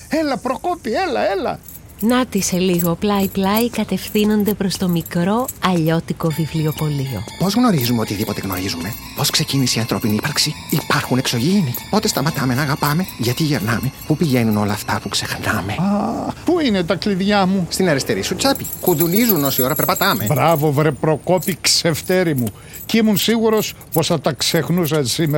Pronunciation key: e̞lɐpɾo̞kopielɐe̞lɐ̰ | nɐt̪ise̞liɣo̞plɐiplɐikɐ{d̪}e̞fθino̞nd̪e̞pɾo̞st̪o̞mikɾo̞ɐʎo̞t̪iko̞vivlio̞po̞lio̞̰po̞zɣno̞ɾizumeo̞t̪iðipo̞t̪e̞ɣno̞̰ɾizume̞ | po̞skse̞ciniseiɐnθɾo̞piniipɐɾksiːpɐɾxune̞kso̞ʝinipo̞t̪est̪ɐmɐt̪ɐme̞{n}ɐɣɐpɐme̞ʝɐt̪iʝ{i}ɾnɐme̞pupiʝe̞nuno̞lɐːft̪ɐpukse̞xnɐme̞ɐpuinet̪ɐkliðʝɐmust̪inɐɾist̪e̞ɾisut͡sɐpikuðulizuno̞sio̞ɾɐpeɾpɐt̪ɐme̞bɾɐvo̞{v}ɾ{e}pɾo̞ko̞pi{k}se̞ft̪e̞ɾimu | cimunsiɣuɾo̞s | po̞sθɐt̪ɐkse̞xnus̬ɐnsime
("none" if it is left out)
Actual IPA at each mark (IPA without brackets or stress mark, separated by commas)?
t̪, n, e, v, e, k